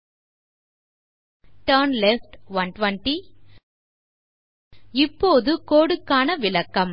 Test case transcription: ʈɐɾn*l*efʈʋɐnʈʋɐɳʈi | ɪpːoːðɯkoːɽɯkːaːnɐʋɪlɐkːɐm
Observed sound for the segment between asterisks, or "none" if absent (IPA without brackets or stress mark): l